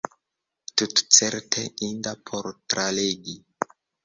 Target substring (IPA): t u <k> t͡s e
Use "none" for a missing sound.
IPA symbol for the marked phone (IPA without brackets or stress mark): t